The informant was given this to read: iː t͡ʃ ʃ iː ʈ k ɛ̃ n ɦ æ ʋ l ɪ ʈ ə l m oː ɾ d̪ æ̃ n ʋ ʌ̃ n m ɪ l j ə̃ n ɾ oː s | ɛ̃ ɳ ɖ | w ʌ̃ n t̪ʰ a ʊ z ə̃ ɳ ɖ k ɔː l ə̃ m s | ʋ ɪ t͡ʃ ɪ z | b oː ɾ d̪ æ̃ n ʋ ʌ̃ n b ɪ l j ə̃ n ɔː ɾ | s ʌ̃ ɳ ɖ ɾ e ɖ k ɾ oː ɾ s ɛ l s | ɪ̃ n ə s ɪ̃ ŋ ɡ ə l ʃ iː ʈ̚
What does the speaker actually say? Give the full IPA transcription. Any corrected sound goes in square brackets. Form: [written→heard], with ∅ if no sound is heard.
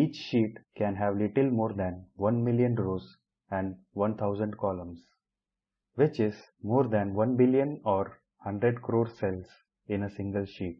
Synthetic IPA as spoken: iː t͡ʃ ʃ iː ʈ k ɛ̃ n ɦ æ ʋ l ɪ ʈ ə l m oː ɾ d̪ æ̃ n ʋ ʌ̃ n m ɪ l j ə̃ n ɾ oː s | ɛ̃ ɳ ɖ | [w→ʋ] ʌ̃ n t̪ʰ a ʊ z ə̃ ɳ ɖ k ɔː l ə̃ m s | ʋ ɪ t͡ʃ ɪ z | [b→m] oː ɾ d̪ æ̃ n ʋ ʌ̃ n b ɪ l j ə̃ n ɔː ɾ | [s→h] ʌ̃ ɳ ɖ ɾ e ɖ k ɾ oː ɾ s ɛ l s | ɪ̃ n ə s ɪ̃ ŋ ɡ ə l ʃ iː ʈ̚